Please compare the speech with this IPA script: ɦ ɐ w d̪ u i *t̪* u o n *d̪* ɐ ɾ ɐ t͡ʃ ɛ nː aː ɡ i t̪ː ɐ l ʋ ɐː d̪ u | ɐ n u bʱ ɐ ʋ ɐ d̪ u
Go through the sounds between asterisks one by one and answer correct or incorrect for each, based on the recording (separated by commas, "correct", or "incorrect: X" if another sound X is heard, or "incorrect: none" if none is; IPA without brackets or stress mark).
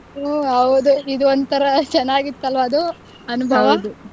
incorrect: d̪, incorrect: t̪